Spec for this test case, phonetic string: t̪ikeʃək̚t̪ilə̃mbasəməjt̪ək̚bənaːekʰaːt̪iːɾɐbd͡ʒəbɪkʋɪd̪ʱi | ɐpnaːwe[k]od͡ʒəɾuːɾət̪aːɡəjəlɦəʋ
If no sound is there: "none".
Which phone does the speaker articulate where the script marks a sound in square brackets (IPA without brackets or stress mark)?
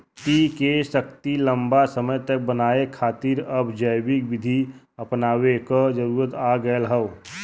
k